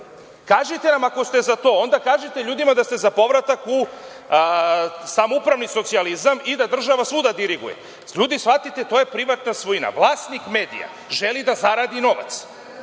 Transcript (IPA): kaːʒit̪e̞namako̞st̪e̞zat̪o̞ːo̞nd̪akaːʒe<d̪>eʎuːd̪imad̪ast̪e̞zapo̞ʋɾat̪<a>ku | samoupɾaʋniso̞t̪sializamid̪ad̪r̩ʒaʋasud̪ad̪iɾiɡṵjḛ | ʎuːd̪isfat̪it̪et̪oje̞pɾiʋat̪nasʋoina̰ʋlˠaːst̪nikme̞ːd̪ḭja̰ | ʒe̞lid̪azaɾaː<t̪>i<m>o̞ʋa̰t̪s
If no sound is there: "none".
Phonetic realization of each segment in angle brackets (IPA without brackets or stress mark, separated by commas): t̪, a, d̪, n